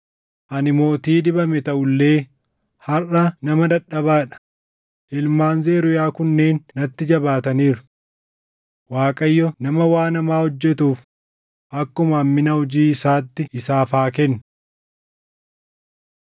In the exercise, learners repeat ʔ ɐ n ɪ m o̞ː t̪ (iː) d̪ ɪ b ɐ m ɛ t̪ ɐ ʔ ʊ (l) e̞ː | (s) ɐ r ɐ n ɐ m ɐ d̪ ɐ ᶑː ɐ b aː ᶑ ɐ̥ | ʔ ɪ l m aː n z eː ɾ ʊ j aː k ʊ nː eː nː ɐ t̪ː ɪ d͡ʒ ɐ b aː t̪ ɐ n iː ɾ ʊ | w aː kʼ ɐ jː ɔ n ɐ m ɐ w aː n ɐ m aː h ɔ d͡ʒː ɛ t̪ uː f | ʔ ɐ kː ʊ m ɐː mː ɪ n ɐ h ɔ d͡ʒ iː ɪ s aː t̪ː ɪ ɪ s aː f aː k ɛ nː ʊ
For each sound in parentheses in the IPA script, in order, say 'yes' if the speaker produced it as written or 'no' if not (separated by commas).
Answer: yes, no, no